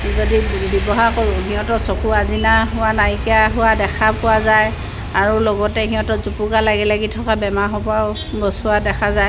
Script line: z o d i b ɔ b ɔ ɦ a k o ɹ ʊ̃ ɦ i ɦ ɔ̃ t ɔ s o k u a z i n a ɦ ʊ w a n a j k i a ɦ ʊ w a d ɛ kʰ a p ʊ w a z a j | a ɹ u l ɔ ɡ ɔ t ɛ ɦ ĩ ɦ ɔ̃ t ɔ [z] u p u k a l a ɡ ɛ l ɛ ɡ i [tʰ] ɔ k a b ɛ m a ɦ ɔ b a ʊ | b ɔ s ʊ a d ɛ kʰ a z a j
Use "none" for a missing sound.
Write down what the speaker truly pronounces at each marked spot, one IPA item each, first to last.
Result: z, tʰ

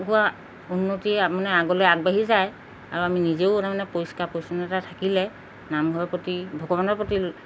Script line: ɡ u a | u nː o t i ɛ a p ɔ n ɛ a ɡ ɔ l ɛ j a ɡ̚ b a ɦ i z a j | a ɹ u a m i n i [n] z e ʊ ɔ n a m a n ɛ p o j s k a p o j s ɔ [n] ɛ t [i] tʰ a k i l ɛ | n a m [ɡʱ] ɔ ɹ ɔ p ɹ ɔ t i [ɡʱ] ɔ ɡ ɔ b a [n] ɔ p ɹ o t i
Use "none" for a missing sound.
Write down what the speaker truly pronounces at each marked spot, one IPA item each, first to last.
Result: none, n, a, ɡʱ, bʱ, n

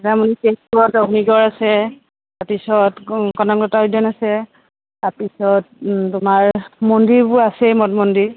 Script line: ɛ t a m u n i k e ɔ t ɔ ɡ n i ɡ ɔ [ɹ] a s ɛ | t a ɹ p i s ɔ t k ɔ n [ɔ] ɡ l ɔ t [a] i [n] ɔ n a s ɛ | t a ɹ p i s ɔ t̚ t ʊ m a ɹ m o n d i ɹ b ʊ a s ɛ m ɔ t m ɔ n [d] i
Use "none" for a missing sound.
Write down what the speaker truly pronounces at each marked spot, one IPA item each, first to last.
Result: ɹ, ɔ, a, d, d

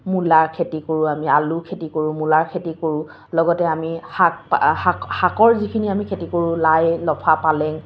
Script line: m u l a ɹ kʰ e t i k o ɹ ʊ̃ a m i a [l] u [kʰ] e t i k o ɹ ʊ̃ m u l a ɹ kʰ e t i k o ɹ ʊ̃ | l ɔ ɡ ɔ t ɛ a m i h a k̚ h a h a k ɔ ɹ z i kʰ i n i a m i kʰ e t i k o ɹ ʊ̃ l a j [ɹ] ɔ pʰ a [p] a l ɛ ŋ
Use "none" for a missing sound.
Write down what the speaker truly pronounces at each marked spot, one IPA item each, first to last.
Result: l, kʰ, l, p

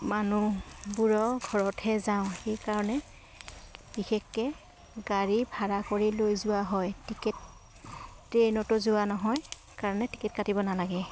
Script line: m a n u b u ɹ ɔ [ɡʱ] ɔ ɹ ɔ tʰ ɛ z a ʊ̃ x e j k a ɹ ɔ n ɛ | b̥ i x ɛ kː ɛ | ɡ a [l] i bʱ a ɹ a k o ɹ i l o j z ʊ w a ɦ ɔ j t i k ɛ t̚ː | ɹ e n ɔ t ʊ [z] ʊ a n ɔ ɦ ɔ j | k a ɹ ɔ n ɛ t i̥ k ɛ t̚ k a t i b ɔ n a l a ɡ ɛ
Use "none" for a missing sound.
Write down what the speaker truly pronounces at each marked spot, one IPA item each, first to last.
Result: ɡʱ, ɹ, z

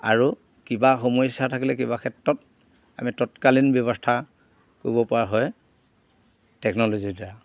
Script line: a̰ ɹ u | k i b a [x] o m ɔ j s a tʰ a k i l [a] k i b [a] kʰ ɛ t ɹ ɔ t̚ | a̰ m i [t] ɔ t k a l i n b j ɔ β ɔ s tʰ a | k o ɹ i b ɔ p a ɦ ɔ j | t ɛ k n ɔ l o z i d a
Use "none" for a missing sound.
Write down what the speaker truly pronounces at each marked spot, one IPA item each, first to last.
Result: x, ɛ, a, t

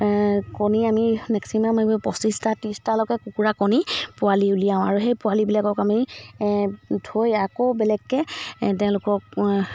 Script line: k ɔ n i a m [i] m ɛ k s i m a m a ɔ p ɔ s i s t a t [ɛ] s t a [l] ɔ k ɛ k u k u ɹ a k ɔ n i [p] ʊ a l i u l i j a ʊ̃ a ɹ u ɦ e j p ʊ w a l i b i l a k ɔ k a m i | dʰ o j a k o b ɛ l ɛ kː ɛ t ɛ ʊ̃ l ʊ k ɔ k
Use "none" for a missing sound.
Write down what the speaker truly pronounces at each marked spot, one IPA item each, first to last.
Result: i, i, l, p

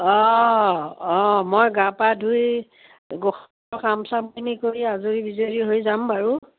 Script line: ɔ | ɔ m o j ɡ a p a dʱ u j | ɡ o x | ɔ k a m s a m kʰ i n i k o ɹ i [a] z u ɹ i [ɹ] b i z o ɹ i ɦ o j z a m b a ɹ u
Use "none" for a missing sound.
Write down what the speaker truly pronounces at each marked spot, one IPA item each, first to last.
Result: a, none

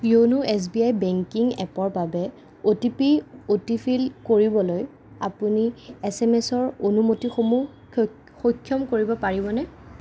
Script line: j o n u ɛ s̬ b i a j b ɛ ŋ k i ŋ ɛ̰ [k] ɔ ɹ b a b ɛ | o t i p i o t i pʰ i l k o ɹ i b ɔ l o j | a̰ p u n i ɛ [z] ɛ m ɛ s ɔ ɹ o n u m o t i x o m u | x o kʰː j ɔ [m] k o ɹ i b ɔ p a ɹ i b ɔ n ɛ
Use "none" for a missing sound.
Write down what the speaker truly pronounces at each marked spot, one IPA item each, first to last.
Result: p, s, m

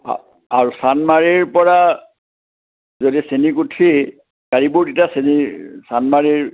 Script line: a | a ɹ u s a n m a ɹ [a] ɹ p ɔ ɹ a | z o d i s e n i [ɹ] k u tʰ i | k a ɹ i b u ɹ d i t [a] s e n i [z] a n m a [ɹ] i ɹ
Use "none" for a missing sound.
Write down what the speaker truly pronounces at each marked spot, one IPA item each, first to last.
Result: i, none, a, s, ɹ

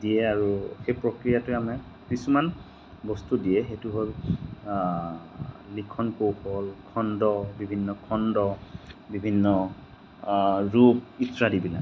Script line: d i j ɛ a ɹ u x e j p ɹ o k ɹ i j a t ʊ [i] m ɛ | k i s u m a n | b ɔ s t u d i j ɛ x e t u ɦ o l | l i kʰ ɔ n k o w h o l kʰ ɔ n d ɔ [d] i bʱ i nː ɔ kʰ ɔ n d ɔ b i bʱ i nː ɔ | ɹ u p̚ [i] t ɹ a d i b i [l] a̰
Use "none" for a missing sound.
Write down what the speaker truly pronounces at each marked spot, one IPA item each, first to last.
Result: a, b, i, l

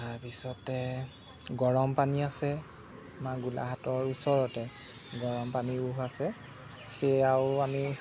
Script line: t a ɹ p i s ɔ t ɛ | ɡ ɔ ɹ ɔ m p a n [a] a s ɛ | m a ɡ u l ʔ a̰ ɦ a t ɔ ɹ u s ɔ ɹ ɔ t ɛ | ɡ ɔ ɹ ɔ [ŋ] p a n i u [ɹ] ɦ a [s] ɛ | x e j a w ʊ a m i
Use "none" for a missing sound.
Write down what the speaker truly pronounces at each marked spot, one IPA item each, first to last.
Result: i, m, none, s

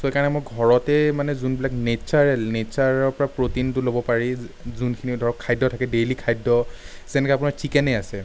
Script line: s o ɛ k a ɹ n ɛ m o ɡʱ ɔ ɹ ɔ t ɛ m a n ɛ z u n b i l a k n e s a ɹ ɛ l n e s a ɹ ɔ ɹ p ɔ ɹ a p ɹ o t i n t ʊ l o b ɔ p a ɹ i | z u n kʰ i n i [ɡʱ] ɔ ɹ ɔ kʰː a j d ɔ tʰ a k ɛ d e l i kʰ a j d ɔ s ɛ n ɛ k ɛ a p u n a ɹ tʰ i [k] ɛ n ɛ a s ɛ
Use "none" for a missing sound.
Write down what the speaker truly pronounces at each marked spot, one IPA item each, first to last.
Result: dʱ, k

